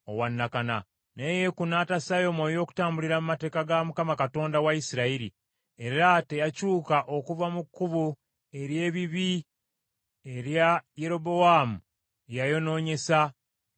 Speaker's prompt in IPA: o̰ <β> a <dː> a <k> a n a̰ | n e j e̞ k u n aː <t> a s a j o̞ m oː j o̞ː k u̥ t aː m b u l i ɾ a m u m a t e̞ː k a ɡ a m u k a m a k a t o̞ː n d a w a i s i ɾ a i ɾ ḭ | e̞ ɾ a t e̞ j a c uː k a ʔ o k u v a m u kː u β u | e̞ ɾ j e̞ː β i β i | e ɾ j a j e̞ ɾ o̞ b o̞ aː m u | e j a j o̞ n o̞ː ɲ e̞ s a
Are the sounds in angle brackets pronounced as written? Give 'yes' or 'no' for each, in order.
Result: no, no, yes, yes

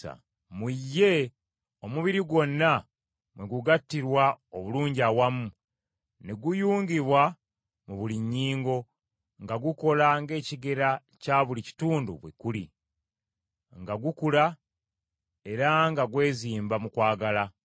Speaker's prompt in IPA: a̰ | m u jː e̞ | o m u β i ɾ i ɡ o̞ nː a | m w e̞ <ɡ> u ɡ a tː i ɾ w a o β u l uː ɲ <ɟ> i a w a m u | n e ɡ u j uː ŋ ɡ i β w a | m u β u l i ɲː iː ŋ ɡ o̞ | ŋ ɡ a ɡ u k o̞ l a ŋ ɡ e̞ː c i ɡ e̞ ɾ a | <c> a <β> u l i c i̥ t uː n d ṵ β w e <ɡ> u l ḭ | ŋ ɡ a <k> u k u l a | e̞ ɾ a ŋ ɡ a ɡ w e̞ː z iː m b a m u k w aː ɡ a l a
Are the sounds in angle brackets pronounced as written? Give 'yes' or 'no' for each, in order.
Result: yes, yes, yes, yes, no, no

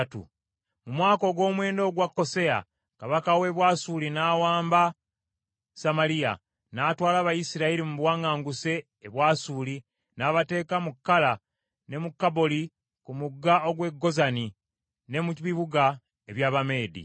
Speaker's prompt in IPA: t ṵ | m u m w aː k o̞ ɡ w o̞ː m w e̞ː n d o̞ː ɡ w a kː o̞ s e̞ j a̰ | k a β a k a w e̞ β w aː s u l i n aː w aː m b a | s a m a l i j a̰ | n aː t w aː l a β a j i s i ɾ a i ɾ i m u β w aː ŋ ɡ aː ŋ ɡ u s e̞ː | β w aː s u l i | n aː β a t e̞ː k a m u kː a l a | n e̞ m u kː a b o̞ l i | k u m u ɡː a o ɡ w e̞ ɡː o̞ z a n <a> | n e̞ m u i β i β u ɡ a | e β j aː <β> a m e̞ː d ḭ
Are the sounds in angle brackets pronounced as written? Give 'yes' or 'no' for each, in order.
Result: no, yes

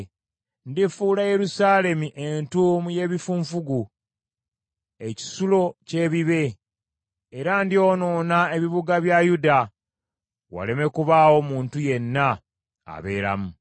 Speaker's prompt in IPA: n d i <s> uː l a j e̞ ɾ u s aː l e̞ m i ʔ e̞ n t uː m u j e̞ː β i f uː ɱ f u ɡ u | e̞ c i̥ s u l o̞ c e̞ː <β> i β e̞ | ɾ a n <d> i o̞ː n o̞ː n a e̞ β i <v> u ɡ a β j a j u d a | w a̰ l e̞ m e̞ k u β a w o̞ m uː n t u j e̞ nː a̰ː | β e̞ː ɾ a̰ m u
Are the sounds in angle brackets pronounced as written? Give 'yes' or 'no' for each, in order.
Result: no, yes, yes, no

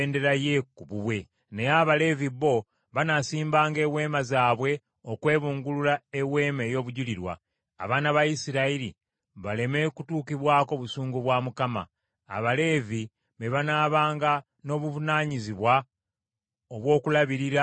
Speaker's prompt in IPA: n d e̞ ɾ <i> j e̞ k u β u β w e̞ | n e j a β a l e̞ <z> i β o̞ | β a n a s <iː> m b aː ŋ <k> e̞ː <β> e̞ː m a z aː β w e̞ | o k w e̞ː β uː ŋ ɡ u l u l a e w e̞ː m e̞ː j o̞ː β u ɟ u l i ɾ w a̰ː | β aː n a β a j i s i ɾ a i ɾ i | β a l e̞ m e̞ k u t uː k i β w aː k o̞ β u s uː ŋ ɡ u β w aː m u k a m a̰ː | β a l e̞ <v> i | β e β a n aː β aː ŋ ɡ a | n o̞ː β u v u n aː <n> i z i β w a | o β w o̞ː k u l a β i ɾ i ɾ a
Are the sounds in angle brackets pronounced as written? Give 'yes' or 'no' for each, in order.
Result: no, no, yes, no, no, yes, no

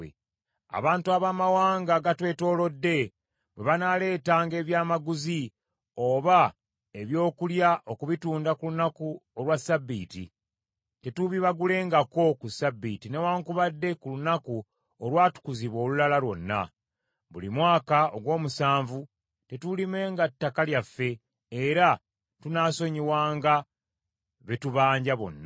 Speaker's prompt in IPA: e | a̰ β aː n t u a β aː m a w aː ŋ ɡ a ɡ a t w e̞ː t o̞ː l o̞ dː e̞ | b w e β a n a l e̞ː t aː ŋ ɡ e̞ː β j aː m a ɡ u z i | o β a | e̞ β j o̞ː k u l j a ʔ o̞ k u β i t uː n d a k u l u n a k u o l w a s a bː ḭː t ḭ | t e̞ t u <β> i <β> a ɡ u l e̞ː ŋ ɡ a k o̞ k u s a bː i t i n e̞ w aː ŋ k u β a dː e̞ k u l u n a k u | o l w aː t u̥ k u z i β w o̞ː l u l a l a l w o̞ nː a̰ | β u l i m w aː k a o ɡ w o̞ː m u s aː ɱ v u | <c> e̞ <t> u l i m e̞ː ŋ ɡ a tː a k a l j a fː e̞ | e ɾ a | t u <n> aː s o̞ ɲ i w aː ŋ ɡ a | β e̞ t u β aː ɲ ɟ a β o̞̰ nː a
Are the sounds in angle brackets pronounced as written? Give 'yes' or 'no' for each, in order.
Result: yes, yes, no, yes, yes

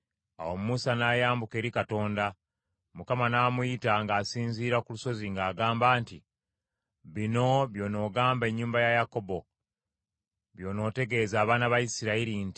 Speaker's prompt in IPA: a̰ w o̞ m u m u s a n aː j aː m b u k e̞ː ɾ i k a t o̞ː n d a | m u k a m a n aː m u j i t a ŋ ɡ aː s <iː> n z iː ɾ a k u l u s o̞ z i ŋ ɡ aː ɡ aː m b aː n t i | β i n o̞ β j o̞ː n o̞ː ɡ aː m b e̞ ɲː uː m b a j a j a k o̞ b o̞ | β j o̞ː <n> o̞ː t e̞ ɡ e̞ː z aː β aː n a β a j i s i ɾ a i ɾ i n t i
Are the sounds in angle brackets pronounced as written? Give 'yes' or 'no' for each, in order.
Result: yes, yes

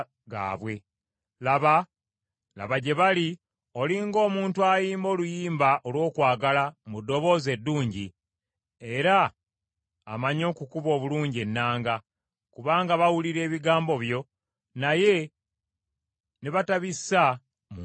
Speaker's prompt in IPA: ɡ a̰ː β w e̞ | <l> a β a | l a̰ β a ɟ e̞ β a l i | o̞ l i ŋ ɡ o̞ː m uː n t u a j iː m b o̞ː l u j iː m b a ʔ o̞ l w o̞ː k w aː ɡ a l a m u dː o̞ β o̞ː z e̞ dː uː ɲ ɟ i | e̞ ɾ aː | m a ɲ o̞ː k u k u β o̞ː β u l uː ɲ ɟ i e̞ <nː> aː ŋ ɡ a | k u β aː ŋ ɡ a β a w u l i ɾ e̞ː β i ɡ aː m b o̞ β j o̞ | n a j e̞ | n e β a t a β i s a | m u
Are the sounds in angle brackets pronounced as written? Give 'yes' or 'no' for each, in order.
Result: yes, yes

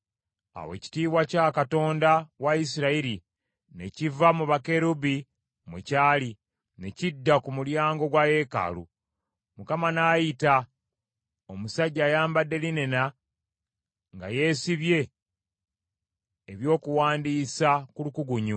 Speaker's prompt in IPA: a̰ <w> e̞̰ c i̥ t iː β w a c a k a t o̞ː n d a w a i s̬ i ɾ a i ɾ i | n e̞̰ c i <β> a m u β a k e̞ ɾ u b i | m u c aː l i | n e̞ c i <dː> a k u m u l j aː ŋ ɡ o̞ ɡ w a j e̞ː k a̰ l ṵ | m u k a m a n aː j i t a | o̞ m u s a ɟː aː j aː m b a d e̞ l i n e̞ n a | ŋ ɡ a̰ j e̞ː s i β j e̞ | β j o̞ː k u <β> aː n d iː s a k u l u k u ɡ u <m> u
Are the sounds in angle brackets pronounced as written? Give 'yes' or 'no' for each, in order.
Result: yes, no, yes, no, no

